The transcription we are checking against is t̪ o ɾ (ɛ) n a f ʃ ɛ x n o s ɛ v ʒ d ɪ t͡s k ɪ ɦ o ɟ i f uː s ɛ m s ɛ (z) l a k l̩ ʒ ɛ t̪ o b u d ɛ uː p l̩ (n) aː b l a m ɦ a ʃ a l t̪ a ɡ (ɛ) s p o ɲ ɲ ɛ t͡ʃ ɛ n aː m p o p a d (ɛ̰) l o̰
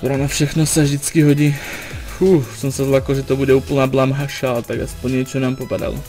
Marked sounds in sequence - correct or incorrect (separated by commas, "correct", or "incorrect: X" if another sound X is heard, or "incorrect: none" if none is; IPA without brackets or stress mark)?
incorrect: a, correct, correct, incorrect: a, incorrect: a̰